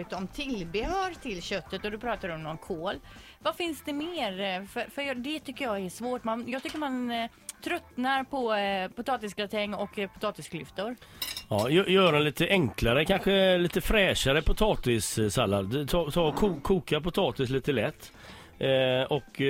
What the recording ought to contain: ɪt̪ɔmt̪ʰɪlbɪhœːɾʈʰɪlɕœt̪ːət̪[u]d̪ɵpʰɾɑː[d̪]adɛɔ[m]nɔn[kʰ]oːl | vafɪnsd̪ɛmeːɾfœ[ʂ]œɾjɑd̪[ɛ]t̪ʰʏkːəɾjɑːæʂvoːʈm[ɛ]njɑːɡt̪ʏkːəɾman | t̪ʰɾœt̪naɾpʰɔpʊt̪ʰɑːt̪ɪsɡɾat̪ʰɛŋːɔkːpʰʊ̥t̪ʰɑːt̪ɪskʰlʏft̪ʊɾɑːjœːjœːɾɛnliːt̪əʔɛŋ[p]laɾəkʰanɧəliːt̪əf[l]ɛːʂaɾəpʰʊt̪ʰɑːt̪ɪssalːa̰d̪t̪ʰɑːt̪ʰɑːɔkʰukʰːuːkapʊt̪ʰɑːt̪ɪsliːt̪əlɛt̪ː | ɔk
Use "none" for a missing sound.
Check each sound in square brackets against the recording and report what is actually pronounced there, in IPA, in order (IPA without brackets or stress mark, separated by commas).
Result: ɔ, t̪, m, kʰ, f, ɛ, a, k, ɾ